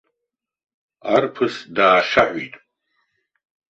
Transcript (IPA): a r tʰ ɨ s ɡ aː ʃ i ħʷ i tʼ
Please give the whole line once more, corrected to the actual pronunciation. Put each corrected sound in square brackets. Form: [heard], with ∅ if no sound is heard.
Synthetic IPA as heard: a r [pʰ] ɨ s [d] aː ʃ [a] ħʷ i tʼ